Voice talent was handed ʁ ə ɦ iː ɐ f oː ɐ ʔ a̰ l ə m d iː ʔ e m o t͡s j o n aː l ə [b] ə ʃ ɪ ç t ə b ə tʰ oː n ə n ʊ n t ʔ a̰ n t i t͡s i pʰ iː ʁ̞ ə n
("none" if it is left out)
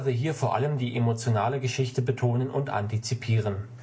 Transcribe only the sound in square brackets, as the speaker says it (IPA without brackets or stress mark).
ɡ